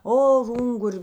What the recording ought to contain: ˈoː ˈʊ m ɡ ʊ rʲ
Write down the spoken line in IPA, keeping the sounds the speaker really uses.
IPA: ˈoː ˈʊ ŋ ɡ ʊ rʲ